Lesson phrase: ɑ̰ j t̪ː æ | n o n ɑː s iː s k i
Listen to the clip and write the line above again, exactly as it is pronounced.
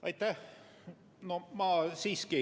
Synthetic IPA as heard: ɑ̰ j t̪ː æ | n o m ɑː s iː s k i